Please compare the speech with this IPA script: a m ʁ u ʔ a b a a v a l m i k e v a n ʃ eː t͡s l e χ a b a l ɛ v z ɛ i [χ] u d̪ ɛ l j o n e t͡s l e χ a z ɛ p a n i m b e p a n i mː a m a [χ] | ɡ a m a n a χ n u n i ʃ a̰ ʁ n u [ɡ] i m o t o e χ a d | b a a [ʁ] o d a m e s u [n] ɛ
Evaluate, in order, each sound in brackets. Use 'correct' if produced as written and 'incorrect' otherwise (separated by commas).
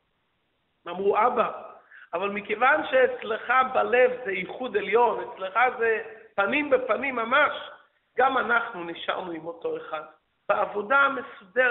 correct, incorrect, incorrect, incorrect, incorrect